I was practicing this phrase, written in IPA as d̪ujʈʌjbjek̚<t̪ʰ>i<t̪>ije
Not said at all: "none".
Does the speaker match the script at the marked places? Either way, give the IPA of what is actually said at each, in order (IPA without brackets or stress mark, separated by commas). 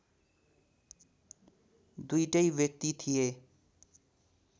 t̪, t̪ʰ